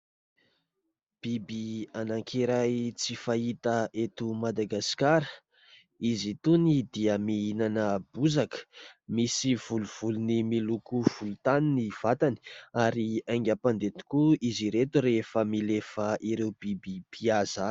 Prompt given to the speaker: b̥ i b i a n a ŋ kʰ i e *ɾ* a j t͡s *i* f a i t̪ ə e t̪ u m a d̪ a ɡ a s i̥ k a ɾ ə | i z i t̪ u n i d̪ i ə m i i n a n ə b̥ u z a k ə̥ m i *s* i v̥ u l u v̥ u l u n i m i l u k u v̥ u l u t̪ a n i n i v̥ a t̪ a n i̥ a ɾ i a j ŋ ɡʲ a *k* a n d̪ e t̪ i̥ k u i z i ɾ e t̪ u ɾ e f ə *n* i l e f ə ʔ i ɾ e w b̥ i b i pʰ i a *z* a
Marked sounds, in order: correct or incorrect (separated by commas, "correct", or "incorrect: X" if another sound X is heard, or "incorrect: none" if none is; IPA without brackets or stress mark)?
correct, correct, correct, incorrect: p, incorrect: m, correct